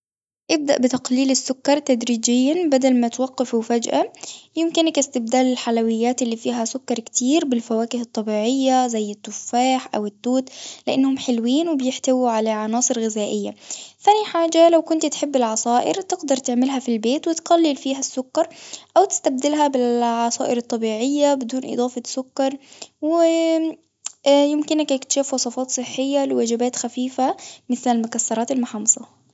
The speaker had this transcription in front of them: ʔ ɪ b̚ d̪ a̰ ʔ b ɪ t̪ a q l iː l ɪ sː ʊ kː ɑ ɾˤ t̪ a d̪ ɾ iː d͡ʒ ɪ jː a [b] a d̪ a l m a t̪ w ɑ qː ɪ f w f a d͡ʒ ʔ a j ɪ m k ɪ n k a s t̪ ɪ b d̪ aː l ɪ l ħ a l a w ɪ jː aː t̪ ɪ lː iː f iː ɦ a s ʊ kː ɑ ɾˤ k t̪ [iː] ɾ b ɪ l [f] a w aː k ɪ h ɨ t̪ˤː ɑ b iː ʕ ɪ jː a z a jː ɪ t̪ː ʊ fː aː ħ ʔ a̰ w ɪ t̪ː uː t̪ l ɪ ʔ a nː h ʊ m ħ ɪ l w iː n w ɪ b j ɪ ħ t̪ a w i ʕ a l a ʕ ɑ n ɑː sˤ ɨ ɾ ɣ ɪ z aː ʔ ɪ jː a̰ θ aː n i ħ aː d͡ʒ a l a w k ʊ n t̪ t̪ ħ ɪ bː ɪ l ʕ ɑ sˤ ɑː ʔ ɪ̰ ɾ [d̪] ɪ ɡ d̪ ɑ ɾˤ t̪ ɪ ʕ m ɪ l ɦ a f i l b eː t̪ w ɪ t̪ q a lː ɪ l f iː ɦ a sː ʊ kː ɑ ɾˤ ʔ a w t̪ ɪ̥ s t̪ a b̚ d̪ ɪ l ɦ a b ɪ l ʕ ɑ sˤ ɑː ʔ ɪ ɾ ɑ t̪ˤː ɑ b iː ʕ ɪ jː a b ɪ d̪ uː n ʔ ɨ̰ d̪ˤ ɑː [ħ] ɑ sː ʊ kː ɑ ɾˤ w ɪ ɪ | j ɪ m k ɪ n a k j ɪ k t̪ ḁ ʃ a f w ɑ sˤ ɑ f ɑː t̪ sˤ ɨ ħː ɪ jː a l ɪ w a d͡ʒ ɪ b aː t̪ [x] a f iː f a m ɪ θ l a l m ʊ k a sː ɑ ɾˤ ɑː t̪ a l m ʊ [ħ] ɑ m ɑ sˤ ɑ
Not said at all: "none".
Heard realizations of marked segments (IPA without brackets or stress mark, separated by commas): b, iː, f, t̪, f, x, ħ